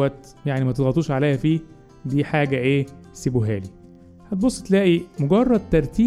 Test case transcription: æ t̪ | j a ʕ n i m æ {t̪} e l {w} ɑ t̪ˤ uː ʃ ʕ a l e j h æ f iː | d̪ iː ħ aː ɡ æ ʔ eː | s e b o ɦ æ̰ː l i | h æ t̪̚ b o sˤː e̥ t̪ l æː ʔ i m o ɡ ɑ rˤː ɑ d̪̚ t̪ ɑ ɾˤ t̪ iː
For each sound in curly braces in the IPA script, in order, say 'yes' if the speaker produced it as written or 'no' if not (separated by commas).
yes, no